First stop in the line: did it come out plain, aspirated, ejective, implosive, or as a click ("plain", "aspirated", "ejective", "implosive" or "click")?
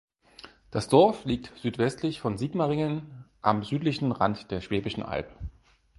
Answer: plain